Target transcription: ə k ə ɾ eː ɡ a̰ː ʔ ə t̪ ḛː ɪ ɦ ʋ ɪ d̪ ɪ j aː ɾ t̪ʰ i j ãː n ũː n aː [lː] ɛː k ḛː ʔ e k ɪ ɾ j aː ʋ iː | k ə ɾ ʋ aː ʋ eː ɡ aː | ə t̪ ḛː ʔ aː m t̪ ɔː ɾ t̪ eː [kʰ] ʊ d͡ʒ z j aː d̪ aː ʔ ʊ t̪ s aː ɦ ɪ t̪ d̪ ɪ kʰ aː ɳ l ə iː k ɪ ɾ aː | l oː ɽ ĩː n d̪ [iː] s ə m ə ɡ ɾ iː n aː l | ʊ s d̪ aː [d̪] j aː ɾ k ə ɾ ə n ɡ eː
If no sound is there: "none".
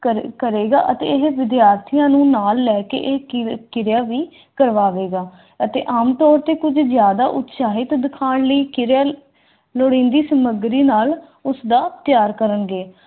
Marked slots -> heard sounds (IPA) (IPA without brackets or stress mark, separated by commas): lː, k, iː, t̪